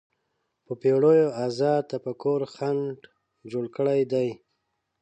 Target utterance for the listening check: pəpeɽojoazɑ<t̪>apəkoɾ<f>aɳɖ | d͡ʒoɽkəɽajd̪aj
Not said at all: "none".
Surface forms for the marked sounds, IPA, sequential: t̪, x

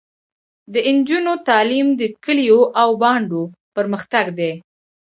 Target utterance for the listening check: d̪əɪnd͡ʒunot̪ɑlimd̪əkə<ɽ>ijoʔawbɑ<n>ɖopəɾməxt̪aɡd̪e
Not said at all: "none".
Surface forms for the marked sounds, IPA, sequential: l, ɳ

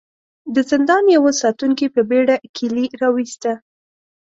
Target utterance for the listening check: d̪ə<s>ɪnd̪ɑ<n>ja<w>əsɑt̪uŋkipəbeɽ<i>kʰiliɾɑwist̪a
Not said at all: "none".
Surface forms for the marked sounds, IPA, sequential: z, n, w, a

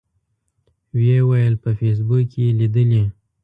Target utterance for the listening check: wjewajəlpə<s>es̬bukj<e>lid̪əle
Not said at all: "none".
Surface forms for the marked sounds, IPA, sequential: f, e

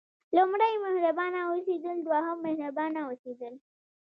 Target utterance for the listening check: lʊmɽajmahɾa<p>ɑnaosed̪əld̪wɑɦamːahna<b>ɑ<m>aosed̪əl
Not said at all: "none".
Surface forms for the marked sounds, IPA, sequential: b, b, n

